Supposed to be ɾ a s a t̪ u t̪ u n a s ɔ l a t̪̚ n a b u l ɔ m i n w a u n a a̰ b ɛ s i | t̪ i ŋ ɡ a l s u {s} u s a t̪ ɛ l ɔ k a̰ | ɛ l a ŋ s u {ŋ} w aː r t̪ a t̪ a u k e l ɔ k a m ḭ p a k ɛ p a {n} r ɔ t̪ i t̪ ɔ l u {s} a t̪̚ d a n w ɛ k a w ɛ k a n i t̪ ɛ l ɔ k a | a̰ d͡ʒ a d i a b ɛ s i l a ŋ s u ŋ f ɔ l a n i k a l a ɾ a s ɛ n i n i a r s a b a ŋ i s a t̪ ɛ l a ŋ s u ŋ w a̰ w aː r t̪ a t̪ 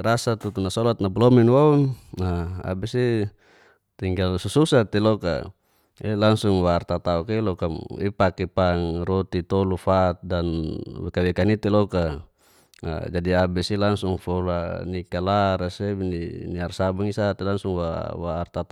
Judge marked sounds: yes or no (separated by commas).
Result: yes, yes, no, no